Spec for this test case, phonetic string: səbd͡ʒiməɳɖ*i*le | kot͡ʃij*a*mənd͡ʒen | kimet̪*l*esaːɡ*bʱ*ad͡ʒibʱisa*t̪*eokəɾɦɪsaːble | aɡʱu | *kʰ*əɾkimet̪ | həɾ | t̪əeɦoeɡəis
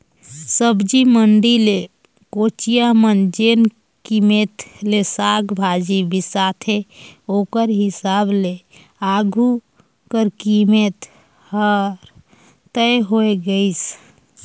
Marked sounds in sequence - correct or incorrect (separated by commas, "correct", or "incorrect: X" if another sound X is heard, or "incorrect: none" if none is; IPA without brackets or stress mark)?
correct, correct, correct, correct, incorrect: t̪ʰ, incorrect: k